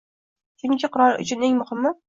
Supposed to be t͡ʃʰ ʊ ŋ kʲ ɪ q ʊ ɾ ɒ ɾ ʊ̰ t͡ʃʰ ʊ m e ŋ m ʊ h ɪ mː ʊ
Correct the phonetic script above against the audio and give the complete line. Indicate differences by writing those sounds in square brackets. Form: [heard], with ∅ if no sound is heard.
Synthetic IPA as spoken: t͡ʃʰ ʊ ŋ kʲ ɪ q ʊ ɾ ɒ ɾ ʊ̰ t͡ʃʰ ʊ [n] e ŋ m ʊ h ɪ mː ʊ